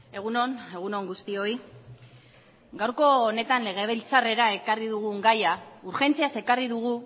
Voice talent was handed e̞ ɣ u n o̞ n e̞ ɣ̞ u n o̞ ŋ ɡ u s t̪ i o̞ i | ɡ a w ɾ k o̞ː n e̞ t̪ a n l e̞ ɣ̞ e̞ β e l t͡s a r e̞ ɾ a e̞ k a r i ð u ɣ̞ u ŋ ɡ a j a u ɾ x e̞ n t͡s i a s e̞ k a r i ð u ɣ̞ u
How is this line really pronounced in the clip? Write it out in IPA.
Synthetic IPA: e̞ ɣ u n o̞ n e̞ ɣ̞ u n o̞ ŋ ɡ u s t̪ i o̞ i | ɡ a w ɾ k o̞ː n e̞ t̪ a n l e̞ ɣ̞ e̞ β e l t͡s a r e̞ ɾ a e̞ k a r i ð u ɣ̞ u ŋ ɡ a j a u ɾ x e̞ n t͡s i a s e̞ k a r i ð u ɣ̞ u